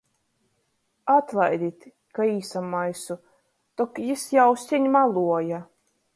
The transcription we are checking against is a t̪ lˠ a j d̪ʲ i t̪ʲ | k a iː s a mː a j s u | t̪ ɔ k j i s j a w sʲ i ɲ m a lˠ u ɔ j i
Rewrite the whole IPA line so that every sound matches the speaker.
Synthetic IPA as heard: a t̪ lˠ a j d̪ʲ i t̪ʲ | k a iː s a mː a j s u | t̪ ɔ k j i s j a w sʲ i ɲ m a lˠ u ɔ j a